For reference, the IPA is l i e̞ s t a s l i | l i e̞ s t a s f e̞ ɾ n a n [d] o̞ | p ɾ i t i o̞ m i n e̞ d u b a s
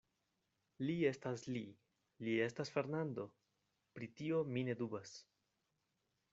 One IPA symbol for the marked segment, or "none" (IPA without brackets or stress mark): d